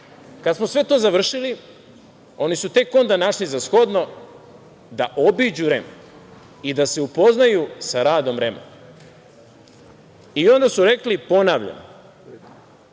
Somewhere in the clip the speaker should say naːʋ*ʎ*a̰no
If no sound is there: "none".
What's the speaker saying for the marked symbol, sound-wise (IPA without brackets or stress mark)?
ʎ